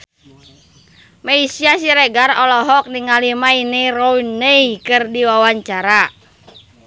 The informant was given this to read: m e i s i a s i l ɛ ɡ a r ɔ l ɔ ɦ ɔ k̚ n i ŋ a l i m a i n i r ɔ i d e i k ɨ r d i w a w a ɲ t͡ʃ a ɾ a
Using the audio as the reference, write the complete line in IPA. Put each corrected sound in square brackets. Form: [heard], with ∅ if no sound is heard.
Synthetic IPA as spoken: m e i s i a s i [ɾ] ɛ ɡ a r ɔ l ɔ ɦ ɔ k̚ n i ŋ a l i m a i n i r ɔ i [n] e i k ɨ r d i w a w a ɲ t͡ʃ a ɾ a